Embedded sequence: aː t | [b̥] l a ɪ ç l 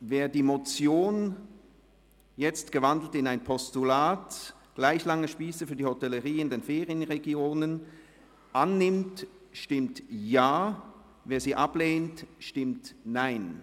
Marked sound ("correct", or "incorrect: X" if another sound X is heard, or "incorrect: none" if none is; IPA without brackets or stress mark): incorrect: ɡ̥